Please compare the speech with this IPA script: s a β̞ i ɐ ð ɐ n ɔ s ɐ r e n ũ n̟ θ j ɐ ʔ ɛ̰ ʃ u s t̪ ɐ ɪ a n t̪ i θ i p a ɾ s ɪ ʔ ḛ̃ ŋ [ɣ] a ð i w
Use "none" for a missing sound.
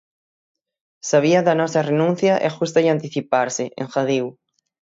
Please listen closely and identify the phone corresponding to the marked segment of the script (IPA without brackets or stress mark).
x